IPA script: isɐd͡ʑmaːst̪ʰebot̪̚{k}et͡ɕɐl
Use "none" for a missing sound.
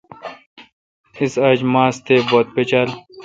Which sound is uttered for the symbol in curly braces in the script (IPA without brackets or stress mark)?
p